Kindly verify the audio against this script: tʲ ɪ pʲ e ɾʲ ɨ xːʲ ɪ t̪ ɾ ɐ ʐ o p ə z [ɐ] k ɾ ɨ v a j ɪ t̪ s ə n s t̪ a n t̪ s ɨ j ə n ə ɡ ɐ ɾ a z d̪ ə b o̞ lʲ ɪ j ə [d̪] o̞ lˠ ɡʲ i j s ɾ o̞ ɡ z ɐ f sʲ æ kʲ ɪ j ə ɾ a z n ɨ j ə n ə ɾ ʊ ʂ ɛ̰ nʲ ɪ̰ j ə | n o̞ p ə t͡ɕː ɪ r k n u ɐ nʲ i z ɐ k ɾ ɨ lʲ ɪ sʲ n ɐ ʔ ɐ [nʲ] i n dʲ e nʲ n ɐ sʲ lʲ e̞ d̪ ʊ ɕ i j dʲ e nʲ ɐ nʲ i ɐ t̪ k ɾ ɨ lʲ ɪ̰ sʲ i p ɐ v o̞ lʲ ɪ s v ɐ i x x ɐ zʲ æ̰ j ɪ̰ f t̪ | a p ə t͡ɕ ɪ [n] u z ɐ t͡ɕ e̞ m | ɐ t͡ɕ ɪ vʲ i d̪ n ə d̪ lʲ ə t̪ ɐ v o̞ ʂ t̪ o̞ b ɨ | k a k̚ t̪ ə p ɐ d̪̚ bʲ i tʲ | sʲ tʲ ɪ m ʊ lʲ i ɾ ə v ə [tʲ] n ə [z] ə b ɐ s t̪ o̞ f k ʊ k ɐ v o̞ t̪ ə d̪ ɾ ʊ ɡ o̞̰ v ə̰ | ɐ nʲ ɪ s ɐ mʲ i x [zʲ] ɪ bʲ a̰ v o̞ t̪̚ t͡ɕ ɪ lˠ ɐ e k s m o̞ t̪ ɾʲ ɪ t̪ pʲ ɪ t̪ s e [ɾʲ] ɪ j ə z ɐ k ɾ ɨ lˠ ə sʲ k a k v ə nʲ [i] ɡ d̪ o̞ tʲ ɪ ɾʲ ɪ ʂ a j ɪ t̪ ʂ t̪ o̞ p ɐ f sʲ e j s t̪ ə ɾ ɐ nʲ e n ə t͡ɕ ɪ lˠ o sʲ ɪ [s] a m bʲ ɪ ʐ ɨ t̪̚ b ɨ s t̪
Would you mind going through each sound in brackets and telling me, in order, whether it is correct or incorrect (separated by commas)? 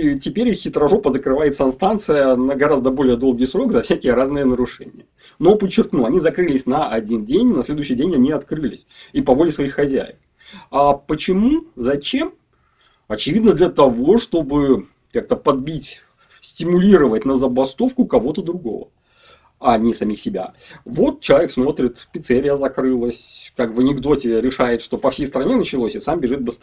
incorrect, correct, incorrect, incorrect, correct, correct, incorrect, correct, incorrect, correct